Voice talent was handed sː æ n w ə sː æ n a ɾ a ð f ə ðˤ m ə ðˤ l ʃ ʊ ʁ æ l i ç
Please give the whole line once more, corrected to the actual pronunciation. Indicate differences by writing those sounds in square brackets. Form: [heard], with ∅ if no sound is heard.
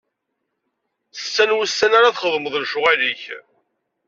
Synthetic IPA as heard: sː æ n w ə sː æ n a ɾ a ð [χ] ə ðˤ m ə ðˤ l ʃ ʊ ʁ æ l i ç